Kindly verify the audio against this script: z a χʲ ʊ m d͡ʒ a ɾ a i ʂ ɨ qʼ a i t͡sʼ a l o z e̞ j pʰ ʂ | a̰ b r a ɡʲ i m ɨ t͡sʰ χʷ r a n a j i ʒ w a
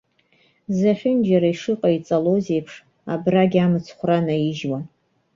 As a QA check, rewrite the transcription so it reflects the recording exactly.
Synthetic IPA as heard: z a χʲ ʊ n d͡ʒ a ɾ a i ʂ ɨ qʼ a i t͡sʼ a l o z e̞ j pʰ ʂ | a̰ b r a ɡʲ a m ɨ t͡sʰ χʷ r a n a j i ʒ w a